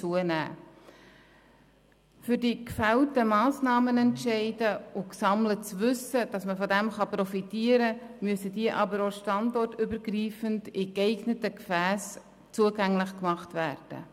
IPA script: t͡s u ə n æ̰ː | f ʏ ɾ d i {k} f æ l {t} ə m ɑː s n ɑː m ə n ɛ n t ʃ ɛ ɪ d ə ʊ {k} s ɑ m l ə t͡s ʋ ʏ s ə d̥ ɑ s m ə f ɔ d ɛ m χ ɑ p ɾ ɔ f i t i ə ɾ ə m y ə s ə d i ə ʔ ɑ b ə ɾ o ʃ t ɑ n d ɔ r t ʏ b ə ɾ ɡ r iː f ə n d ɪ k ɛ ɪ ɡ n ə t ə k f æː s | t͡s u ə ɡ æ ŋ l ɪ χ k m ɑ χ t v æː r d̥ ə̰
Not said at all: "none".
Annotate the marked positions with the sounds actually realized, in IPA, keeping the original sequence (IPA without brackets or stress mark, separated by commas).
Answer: k, t, k